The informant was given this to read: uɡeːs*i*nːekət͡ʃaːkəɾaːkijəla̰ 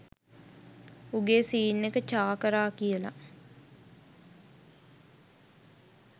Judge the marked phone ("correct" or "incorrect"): incorrect